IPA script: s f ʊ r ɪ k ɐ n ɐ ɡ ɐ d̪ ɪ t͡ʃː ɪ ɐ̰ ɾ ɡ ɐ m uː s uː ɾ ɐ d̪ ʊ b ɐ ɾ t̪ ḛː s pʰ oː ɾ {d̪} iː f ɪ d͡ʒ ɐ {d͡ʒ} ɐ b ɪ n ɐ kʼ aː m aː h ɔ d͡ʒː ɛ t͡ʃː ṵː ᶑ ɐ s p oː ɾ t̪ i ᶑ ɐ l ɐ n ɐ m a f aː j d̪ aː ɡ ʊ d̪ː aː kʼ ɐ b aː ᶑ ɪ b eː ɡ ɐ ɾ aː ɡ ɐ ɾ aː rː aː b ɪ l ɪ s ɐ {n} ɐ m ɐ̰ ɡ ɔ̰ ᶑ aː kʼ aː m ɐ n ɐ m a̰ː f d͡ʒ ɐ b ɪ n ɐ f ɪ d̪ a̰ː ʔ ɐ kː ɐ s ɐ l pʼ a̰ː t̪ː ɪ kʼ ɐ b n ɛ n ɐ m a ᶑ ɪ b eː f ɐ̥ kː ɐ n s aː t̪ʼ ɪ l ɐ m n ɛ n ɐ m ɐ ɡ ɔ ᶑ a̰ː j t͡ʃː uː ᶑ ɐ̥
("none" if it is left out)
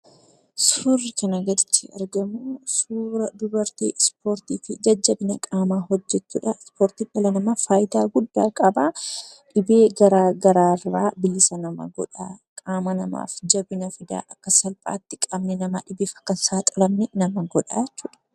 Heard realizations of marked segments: t̪, d͡ʒː, n

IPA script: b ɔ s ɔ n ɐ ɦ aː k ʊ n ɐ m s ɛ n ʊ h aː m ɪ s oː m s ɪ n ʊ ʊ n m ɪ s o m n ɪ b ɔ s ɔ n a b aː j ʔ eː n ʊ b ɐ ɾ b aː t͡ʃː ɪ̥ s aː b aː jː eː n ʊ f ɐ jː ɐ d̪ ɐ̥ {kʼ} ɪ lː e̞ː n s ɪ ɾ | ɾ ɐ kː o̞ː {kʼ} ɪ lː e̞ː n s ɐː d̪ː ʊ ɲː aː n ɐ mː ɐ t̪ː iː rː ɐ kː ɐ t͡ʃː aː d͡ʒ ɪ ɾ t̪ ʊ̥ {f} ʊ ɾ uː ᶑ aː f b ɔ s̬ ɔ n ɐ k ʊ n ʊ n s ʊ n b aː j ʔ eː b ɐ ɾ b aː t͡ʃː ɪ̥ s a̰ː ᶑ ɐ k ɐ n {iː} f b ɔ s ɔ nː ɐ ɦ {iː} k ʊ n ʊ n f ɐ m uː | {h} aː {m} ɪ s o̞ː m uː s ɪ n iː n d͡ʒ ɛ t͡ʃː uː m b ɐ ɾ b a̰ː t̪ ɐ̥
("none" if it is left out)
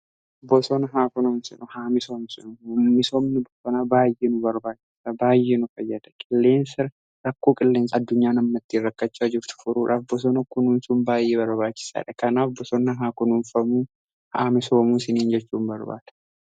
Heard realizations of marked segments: kʼ, kʼ, f, aː, aː, h, m

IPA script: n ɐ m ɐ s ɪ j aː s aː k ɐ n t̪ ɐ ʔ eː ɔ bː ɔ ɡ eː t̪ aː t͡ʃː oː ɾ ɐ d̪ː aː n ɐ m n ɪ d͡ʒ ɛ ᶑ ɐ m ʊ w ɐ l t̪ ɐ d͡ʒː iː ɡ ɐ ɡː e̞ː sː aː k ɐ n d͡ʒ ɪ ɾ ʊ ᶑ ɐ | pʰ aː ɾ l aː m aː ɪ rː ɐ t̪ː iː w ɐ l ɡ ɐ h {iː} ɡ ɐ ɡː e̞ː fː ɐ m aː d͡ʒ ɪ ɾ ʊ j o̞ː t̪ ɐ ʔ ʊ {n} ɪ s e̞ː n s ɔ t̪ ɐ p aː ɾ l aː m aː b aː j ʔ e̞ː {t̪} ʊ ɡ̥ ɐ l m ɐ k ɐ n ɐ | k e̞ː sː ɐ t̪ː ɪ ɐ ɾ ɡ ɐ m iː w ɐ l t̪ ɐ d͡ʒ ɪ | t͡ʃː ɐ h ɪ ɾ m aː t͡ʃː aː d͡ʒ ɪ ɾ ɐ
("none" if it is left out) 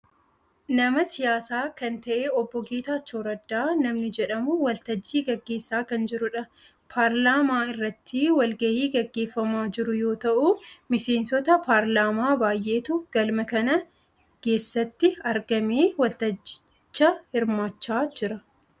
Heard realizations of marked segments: iː, m, t̪

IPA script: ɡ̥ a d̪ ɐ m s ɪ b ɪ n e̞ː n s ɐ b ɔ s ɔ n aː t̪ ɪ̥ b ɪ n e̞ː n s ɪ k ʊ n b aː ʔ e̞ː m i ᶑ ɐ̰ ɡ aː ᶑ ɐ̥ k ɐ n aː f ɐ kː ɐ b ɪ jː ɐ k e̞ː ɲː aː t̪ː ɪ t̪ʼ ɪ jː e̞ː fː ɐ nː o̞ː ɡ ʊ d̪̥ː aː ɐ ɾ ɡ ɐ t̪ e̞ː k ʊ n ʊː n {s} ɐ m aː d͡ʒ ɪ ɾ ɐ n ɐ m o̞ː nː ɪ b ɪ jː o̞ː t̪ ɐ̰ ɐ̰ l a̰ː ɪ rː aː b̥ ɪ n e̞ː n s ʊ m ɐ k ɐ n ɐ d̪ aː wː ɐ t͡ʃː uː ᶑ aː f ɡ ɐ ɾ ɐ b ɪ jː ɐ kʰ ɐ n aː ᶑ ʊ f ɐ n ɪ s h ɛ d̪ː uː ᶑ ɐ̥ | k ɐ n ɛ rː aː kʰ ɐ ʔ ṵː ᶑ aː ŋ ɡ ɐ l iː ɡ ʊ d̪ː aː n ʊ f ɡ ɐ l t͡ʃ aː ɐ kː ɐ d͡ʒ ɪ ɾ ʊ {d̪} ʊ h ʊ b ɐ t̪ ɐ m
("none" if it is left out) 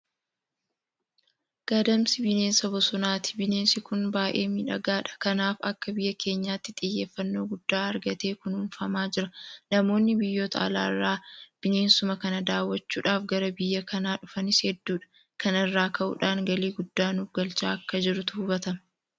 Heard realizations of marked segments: f, t̪

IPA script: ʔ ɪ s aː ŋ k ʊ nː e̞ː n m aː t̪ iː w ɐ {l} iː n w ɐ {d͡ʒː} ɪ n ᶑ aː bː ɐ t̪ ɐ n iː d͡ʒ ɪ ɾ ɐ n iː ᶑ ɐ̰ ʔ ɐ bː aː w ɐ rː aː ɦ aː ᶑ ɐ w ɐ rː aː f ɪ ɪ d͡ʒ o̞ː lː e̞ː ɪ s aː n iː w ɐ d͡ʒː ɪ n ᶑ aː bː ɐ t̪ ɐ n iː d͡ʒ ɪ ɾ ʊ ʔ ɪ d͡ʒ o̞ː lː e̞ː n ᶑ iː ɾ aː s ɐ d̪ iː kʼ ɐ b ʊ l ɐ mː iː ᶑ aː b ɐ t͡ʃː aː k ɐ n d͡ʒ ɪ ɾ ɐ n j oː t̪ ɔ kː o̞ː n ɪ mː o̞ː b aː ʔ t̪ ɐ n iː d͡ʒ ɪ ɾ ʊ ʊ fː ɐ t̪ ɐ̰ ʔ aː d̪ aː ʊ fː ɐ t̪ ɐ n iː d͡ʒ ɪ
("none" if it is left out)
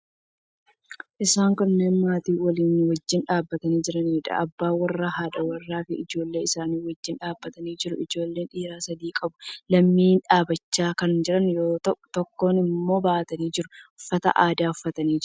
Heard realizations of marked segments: l, d͡ʒː

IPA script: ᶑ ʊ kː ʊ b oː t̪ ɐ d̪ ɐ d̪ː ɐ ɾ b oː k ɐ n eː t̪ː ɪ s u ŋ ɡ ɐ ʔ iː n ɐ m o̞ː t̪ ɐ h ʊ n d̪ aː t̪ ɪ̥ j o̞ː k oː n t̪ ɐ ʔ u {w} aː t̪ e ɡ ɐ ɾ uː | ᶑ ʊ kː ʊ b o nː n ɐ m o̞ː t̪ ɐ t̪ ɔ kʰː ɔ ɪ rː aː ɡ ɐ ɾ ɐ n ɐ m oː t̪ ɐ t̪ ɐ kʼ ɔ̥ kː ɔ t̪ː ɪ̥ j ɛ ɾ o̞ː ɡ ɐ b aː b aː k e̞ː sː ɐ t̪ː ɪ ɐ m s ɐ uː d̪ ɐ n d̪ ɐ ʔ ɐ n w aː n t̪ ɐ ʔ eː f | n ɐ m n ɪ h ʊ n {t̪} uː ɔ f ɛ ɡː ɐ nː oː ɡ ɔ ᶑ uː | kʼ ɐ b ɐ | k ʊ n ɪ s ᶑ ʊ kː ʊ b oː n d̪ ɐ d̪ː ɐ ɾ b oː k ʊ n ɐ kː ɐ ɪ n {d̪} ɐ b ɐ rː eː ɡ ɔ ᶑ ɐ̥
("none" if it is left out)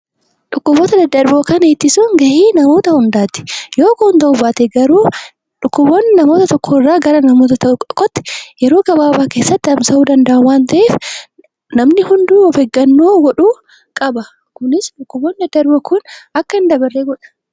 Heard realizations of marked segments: b, d̪, d̪

